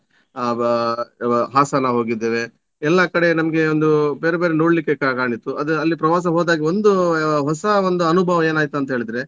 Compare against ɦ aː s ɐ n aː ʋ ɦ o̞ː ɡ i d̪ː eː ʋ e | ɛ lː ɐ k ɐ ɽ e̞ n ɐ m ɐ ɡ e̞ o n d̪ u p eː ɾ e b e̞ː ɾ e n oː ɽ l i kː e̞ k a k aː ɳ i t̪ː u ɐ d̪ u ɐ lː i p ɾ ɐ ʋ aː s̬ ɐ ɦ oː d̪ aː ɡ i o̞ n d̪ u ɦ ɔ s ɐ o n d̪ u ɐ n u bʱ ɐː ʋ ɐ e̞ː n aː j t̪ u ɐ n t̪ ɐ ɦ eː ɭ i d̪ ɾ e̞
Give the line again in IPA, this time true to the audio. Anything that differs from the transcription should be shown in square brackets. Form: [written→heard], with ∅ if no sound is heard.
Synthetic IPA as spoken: ɦ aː s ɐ n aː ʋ ɦ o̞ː ɡ i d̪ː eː ʋ e | ɛ lː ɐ k ɐ ɽ e̞ n ɐ m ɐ ɡ e̞ o n d̪ u [p→b] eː ɾ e b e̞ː ɾ e n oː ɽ l i kː e̞ k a k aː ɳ i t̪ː u ɐ d̪ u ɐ lː i p ɾ ɐ ʋ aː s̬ ɐ ɦ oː d̪ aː ɡ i o̞ n d̪ u ɦ ɔ s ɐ o n d̪ u ɐ n u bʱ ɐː ʋ ɐ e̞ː n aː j t̪ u ɐ n t̪ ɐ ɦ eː ɭ i d̪ ɾ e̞

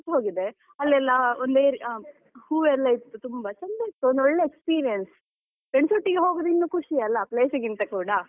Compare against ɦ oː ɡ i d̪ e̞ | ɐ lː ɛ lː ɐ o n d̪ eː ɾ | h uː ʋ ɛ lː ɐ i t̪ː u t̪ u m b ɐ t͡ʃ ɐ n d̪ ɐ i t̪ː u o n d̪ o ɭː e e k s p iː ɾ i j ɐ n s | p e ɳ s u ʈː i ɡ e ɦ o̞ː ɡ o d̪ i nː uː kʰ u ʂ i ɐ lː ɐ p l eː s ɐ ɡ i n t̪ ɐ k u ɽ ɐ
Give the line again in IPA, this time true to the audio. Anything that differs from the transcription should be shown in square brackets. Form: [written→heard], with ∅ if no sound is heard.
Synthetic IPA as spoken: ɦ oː ɡ i d̪ e̞ | ɐ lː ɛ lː ɐ o n d̪ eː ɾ | h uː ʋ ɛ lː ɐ i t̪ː u t̪ u m b ɐ t͡ʃ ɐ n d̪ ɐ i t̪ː u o n d̪ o ɭː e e k s p iː ɾ i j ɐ n s | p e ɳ s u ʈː i ɡ e ɦ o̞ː ɡ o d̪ i nː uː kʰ u ʂ i ɐ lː ɐ p l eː s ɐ ɡ i n t̪ ɐ k [u→uː] ɽ ɐ

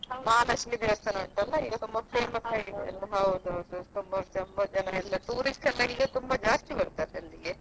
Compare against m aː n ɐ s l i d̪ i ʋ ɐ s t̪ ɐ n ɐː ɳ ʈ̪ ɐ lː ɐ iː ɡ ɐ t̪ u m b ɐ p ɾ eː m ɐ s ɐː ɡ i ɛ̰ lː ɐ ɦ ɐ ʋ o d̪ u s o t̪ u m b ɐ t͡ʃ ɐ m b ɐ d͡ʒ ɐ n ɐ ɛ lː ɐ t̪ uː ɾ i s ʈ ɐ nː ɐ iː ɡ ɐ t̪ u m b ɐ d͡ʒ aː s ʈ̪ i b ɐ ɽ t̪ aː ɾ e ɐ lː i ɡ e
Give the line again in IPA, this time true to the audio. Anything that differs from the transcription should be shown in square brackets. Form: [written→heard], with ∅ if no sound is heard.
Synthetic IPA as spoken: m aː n ɐ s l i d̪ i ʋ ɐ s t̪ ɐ n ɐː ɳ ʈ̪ ɐ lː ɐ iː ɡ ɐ t̪ u m b ɐ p ɾ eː m ɐ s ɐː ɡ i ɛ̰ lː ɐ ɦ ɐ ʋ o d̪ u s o t̪ u m b ɐ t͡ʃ ɐ m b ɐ d͡ʒ ɐ n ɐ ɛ lː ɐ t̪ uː ɾ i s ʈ ɐ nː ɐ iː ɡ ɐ t̪ u m b ɐ d͡ʒ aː s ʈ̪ i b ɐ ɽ t̪ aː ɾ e ɐ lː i ɡ e

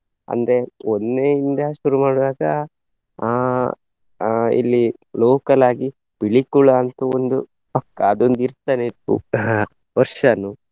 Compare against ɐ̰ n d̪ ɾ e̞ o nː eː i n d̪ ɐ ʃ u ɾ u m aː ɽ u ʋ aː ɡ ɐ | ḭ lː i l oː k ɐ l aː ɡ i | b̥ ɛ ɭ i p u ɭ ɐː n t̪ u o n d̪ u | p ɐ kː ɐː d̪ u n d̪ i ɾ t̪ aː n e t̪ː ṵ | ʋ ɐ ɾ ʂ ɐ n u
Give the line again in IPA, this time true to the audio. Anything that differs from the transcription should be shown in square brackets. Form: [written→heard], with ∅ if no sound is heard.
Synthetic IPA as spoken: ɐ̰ n d̪ ɾ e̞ o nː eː i n d̪ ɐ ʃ u ɾ u m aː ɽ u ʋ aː ɡ ɐ | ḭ lː i l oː k ɐ l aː ɡ i | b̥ [ɛ→i] ɭ i [p→k] u ɭ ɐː n t̪ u o n d̪ u | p ɐ kː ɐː d̪ [u→o] n d̪ i ɾ t̪ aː n e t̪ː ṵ | ʋ ɐ ɾ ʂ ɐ n u

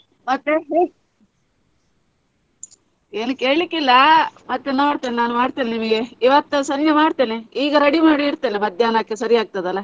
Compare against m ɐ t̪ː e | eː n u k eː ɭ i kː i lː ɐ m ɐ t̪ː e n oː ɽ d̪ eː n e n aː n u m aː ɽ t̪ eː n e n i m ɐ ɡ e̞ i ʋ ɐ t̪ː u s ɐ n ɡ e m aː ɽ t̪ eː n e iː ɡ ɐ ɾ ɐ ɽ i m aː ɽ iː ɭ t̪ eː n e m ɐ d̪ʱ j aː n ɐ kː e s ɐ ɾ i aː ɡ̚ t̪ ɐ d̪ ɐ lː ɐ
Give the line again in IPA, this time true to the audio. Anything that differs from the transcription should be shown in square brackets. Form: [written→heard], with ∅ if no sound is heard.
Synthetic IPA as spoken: m ɐ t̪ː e | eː n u k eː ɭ i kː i lː ɐ m ɐ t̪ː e n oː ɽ [d̪→t̪] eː n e n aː n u m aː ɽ t̪ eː n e n i m ɐ ɡ e̞ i ʋ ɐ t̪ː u s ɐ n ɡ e m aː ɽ t̪ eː n e iː ɡ ɐ ɾ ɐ ɽ i m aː ɽ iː [ɭ→ɾ] t̪ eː n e m ɐ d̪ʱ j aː n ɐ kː e s ɐ ɾ i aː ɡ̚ t̪ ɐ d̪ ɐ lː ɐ

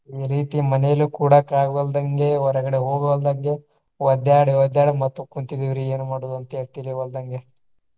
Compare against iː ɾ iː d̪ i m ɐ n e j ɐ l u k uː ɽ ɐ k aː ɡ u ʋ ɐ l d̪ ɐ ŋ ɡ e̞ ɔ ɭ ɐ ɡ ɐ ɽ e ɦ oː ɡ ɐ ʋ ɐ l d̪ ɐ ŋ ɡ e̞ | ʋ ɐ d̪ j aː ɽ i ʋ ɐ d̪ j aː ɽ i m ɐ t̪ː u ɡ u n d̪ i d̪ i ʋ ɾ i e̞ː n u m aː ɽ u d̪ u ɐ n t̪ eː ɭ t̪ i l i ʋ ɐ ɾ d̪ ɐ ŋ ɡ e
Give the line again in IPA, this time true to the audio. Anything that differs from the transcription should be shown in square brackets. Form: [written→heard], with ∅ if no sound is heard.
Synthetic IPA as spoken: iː ɾ iː [d̪→t̪] i m ɐ n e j ɐ l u k uː ɽ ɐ k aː ɡ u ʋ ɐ l d̪ ɐ ŋ ɡ e̞ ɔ [ɭ→ɾ] ɐ ɡ ɐ ɽ e ɦ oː ɡ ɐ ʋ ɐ l d̪ ɐ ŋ ɡ e̞ | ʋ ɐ d̪ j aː ɽ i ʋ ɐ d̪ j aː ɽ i m ɐ t̪ː u [ɡ→k] u n [d̪→t̪] i d̪ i ʋ ɾ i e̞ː n u m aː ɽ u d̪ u ɐ n t̪ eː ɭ t̪ i l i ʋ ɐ [ɾ→l] d̪ ɐ ŋ ɡ e

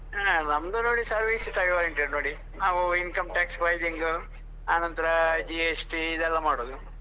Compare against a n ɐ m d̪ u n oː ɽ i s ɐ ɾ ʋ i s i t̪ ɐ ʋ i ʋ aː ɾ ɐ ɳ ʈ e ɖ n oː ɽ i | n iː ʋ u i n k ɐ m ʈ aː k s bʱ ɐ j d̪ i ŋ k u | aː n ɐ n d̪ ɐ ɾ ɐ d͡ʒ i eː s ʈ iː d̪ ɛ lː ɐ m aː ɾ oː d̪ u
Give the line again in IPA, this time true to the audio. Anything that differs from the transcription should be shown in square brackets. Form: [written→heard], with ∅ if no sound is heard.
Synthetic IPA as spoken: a n ɐ m d̪ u n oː ɽ i s ɐ ɾ ʋ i s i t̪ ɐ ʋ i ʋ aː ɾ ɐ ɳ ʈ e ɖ n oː ɽ i | n [iː→aː] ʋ u i n k ɐ m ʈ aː k s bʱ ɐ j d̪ i ŋ [k→ɡ] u | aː n ɐ n [d̪→t̪] ɐ ɾ ɐ d͡ʒ i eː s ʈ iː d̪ ɛ lː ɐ m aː [ɾ→ɽ] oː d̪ u

